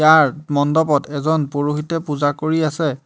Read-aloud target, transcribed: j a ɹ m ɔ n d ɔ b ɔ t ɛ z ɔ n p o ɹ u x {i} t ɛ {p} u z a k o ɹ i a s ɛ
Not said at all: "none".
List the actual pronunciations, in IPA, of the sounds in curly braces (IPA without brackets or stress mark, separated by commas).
i, p